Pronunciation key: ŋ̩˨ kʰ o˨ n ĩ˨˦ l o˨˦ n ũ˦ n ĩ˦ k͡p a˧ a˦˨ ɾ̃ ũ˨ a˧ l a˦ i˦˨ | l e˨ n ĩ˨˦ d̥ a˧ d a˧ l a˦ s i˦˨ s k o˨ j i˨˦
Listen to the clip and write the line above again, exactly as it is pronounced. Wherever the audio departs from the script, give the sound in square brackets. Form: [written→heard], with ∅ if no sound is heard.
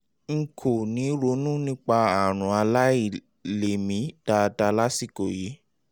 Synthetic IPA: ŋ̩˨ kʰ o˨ n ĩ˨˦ [l→ɾ] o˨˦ n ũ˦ n ĩ˦ k͡p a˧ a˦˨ ɾ̃ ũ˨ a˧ l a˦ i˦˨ | l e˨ [n→m] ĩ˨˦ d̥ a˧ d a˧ l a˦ s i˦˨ [s→∅] k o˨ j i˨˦

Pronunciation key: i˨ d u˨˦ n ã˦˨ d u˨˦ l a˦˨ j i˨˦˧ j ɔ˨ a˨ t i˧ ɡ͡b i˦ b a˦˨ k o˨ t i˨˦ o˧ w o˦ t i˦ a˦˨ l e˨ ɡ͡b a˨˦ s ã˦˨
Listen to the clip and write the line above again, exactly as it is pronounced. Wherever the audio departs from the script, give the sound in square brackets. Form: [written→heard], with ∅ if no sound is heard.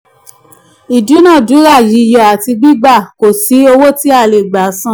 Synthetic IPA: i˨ d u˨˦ n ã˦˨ d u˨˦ [l→ɾ] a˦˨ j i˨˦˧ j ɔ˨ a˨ t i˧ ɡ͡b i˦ [b→ɡ͡b] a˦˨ k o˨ [t→s] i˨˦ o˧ w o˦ t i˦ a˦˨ l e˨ ɡ͡b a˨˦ s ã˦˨

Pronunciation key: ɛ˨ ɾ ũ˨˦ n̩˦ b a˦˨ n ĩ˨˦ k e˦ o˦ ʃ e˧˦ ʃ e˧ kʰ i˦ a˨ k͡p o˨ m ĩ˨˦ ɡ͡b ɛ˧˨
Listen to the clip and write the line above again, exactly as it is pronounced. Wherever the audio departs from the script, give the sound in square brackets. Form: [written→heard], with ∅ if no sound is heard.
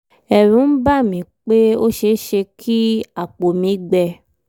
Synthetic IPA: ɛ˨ ɾ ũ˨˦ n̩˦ b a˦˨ [n→m] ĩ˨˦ [k→k͡p] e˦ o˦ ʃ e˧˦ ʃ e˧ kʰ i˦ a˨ k͡p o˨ m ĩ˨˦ ɡ͡b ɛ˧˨

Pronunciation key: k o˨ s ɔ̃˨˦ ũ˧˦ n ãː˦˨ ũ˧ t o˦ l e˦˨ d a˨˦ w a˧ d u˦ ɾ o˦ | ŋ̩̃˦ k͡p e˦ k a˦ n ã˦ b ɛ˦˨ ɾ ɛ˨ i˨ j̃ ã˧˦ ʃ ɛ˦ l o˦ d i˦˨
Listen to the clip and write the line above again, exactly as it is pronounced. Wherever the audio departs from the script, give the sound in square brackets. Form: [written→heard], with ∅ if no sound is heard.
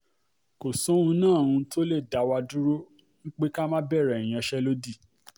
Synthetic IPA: k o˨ s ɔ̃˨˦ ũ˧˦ n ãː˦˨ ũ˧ t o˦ l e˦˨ d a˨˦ w a˧ d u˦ ɾ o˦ | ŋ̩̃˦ k͡p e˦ k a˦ [n→m] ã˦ b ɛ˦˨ ɾ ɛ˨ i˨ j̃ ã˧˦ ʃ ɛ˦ l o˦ d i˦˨

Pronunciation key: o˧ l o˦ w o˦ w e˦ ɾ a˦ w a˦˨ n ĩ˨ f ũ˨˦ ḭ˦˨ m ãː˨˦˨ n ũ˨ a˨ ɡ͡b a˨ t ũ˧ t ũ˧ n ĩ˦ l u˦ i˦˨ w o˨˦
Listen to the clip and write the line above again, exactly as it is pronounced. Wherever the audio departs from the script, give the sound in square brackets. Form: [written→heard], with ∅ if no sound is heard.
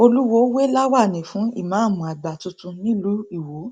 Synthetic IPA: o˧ l [o˦→u˦] w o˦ w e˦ [ɾ→l] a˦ w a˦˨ n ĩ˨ f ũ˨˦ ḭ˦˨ m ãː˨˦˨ [n→m] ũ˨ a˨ ɡ͡b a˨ t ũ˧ t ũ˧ n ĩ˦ l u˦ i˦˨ w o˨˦

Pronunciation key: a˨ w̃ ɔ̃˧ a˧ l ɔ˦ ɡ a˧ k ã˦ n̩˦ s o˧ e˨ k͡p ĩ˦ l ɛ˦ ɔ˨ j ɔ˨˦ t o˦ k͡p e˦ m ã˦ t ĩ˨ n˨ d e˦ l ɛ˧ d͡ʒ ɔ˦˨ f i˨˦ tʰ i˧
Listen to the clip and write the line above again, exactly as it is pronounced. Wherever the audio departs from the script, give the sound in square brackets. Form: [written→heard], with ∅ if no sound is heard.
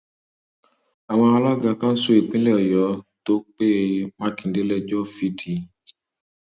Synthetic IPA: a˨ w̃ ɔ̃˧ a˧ l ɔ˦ ɡ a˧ k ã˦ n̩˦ s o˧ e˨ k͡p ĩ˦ l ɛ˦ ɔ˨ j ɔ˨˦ t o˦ k͡p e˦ m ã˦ [t→k] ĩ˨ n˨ d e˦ l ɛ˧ d͡ʒ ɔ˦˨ f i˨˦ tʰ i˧

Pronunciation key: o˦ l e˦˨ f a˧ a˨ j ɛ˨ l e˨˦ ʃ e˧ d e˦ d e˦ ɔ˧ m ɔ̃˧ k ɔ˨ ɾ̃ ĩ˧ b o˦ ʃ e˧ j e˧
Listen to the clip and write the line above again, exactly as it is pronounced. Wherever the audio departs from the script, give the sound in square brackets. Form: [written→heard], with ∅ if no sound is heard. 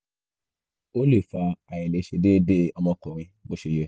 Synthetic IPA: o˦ l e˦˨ f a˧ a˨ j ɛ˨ l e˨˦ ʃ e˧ d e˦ d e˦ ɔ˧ m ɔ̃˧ k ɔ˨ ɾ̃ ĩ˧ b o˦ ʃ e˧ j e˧

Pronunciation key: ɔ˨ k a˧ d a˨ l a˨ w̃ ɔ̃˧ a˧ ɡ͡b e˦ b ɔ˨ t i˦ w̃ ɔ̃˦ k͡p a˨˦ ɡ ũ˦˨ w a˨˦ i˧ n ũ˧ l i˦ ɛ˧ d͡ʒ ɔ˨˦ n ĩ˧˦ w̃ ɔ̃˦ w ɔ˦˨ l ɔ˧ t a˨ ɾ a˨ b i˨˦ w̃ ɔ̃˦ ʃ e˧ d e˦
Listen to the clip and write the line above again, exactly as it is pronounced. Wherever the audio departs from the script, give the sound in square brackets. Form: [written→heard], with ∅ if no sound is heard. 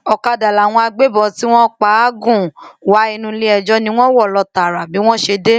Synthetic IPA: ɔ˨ k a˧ d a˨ l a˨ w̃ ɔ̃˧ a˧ ɡ͡b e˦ b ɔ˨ t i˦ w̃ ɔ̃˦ k͡p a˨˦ ɡ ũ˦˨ w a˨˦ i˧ n ũ˧ l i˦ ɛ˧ d͡ʒ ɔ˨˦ n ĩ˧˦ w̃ ɔ̃˦ w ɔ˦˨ l ɔ˧ t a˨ ɾ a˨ b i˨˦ w̃ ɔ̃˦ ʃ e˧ d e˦

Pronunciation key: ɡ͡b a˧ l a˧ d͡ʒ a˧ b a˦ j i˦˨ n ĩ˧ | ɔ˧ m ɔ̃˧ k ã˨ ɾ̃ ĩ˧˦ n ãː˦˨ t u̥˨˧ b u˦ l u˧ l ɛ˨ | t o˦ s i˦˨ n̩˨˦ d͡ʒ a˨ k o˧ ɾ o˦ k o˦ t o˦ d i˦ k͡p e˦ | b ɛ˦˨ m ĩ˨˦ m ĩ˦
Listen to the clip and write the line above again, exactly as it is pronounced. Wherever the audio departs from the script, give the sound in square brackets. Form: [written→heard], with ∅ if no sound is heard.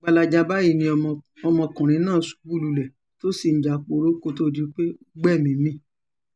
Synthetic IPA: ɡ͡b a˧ l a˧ d͡ʒ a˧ b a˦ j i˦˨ n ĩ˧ | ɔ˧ m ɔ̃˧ k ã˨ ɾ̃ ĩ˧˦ n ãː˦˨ [t→s] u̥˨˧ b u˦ l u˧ l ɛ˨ | t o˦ s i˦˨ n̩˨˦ d͡ʒ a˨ [k→k͡p] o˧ ɾ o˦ k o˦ t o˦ d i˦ k͡p e˦ | [b→ɡ͡b] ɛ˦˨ m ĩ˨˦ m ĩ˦

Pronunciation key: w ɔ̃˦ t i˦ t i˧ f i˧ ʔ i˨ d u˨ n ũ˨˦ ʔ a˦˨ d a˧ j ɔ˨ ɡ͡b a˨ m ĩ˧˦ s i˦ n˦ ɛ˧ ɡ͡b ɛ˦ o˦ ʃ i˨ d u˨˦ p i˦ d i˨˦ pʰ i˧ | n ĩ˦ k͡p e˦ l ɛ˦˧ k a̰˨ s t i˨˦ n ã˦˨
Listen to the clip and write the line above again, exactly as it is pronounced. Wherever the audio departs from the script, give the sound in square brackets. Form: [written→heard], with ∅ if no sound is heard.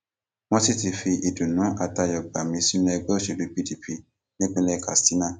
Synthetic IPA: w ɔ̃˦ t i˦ t i˧ f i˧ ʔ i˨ d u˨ n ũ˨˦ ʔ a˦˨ [d→t] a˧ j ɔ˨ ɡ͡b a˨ m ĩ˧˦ s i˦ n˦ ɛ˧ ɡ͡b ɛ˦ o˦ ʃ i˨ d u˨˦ p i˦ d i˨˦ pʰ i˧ | n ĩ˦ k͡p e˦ l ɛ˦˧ k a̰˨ s t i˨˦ n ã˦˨

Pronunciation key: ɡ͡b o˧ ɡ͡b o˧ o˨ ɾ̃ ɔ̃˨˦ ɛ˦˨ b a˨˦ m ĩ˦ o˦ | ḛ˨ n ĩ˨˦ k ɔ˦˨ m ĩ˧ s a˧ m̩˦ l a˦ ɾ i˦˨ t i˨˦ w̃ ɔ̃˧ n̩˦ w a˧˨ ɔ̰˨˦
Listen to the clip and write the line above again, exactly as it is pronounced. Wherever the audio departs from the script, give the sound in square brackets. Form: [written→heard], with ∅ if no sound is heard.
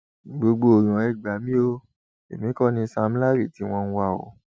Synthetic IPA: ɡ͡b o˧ ɡ͡b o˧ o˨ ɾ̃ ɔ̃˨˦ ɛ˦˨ [b→ɡ͡b] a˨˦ m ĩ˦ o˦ | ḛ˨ [n→m] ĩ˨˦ k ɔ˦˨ [m→n] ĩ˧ s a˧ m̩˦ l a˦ ɾ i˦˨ t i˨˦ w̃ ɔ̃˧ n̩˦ w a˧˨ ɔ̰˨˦

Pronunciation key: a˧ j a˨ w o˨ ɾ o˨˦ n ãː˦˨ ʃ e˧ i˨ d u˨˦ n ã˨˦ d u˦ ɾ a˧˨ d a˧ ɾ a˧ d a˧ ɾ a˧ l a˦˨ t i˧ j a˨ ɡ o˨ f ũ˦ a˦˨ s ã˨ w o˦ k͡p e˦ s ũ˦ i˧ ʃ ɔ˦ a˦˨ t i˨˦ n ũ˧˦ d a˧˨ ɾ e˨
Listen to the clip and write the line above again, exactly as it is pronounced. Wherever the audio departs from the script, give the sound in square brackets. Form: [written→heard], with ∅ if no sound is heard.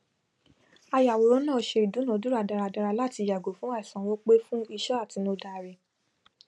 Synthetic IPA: a˧ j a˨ w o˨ ɾ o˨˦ n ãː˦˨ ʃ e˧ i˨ d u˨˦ n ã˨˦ d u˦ ɾ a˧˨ d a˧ ɾ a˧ d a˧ ɾ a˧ l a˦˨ t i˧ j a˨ ɡ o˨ f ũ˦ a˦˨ s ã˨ w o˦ k͡p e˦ [s→f] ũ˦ i˧ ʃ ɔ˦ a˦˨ t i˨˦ n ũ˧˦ d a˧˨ ɾ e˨

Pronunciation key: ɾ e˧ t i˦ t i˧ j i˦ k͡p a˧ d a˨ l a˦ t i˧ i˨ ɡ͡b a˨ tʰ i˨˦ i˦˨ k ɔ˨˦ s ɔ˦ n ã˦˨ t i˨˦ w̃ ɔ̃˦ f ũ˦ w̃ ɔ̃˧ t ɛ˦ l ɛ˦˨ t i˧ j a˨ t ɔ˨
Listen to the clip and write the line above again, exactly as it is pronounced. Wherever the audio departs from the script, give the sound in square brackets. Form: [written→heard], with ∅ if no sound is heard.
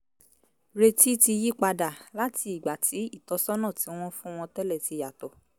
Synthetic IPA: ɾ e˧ t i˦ t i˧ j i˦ k͡p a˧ d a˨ l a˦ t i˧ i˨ ɡ͡b a˨ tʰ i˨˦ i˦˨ [k→t] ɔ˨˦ s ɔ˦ n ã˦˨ t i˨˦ w̃ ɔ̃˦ f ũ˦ w̃ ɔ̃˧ t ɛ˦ l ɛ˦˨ t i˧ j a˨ t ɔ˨

